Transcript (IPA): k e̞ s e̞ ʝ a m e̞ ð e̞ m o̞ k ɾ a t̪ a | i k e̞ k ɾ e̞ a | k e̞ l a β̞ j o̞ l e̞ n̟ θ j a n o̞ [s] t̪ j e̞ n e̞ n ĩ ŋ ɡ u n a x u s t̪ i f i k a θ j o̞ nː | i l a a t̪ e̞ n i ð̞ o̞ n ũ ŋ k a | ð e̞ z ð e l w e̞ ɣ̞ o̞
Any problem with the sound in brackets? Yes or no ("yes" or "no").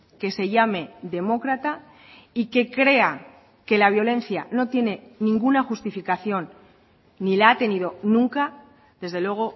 yes